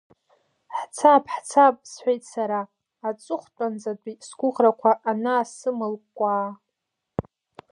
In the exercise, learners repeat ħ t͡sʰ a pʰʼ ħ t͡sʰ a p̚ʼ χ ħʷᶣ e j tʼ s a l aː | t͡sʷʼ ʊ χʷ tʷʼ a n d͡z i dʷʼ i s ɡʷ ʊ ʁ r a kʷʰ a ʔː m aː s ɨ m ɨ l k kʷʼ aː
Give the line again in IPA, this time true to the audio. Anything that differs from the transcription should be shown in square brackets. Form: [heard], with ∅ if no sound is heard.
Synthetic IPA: ħ t͡sʰ a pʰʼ ħ t͡sʰ a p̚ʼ [s] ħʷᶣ e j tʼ s a [ɾ] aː | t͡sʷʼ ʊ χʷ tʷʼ a n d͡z [a] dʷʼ i s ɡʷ ʊ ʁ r a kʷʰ a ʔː [n] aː s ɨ m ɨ l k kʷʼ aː